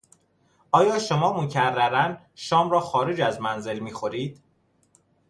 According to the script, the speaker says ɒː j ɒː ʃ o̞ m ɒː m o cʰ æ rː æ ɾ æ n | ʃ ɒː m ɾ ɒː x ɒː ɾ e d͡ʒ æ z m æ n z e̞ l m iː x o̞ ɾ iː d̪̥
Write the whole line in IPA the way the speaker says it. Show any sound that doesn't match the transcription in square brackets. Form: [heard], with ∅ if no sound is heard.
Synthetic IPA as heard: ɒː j ɒː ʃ o̞ m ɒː m o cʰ æ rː æ ɾ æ n | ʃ ɒː m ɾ ɒː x ɒː ɾ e d͡ʒ æ z m æ n z e̞ l m iː x o̞ ɾ iː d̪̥